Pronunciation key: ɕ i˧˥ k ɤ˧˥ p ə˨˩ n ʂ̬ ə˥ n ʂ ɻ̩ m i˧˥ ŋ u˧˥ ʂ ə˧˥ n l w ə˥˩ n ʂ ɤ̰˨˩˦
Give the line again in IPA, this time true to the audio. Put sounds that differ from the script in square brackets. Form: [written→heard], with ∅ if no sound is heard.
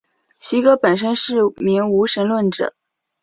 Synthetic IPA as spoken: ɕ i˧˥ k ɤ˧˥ p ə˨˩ n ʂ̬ ə˥ n ʂ ɻ̩ m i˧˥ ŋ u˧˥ ʂ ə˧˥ n l w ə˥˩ n [ʂ→ʈ͡ʂ] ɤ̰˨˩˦